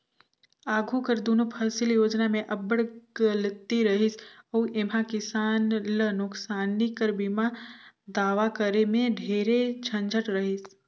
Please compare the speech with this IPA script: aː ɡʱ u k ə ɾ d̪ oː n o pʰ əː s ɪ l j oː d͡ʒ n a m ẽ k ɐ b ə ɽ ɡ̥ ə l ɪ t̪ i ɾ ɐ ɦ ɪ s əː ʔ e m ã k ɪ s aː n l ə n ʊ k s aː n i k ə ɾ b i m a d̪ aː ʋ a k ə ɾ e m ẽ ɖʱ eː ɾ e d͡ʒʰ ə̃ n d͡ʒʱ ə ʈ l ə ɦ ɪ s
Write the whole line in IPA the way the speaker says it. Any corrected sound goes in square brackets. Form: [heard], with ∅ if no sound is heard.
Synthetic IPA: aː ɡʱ u k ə ɾ d̪ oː n o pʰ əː s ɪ l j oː d͡ʒ n a m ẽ [ʔ] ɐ b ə ɽ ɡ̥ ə l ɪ t̪ i ɾ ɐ ɦ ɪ s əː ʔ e m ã k ɪ s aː n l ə n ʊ k s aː n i k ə ɾ b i m a d̪ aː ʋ a k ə ɾ e m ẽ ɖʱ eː ɾ e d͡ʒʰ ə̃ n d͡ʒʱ ə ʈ [ɾ] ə ɦ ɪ s